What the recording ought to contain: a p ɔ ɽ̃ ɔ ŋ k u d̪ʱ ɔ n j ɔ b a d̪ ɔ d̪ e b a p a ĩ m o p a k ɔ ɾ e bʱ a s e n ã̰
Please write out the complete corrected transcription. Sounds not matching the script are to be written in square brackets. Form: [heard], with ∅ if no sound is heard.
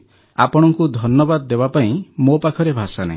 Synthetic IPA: a p ɔ ɽ̃ ɔ ŋ k u d̪ʱ ɔ n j ɔ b a d̪ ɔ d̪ e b a p a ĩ m o p a [kʰ] ɔ ɾ e bʱ a s [a] n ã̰